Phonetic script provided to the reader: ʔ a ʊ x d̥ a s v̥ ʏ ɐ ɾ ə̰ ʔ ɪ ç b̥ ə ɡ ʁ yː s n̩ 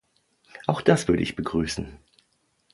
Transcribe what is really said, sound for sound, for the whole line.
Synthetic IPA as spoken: ʔ a ʊ x d̥ a s v̥ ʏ ɐ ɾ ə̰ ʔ ɪ ç b̥ ə ɡ ʁ yː s n̩